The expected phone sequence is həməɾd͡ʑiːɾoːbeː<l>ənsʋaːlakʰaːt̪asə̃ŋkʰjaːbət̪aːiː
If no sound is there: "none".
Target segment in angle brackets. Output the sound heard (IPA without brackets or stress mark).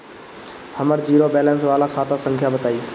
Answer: l